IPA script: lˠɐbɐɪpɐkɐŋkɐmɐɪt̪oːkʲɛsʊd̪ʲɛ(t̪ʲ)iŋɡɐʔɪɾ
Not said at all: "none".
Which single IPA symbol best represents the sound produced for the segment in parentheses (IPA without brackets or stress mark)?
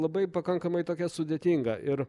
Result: t̪ʲ